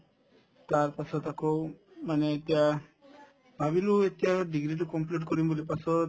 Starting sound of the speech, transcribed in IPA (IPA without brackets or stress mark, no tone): t̪